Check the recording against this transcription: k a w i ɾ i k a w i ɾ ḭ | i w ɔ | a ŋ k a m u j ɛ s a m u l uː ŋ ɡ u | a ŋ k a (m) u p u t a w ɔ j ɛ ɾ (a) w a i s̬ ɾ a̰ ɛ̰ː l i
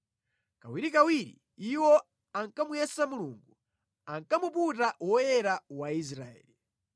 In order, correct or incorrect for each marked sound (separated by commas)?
correct, correct